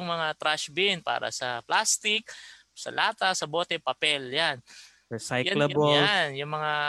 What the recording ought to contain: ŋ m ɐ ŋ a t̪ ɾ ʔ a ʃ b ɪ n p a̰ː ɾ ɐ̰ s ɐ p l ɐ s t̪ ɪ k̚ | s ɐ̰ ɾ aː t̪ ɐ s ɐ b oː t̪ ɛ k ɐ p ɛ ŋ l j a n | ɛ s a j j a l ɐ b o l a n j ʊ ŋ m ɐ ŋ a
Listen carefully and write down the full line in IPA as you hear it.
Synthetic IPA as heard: ŋ m ɐ ŋ a t̪ ɾ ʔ a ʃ b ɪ n p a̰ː ɾ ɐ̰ s ɐ p l a s t̪ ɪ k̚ | s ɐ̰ l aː t̪ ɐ s ɐ b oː t̪ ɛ p ɐ p ɛ l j a n | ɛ s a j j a l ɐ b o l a n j ʊ ŋ m ɐ ŋ a